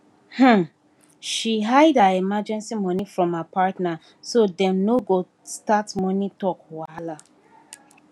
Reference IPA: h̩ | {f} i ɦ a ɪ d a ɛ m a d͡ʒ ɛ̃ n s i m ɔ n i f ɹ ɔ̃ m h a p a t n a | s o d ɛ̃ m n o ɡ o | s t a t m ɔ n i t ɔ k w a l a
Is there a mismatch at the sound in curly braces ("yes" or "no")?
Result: yes